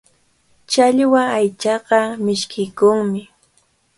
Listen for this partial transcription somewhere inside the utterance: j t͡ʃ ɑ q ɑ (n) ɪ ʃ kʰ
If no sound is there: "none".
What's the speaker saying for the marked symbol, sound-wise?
m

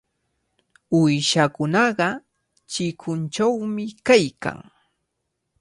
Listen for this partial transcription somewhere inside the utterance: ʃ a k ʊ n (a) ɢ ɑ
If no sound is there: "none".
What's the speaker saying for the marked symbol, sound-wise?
ɑ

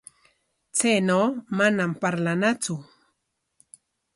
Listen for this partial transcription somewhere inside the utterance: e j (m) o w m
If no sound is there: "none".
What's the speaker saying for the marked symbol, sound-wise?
n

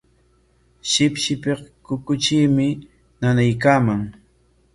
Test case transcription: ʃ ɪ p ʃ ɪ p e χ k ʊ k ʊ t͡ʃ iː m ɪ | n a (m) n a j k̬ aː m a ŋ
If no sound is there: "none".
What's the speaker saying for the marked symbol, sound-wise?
none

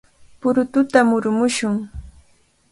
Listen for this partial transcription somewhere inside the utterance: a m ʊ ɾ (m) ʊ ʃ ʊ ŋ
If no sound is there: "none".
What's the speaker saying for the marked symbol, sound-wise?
m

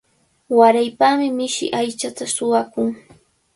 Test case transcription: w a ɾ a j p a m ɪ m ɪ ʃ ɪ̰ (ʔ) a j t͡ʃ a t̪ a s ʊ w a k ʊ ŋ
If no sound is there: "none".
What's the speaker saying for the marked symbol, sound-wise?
ʔ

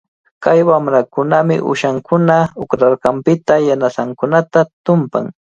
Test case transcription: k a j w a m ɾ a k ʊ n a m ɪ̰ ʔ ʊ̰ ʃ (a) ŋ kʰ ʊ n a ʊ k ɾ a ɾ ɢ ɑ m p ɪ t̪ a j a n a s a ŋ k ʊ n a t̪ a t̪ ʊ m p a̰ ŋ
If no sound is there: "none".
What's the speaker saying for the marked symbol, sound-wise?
a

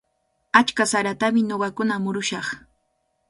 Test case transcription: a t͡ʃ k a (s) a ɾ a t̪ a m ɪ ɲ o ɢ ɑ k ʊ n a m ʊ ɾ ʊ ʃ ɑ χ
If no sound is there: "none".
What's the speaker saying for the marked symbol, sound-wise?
s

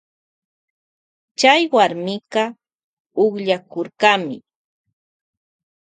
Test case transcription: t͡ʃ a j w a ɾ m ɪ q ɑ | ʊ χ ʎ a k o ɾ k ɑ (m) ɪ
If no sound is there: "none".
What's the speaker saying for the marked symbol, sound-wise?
m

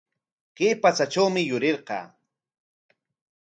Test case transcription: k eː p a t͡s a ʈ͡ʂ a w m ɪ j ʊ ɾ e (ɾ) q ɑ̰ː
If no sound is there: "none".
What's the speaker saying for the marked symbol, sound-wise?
ɾ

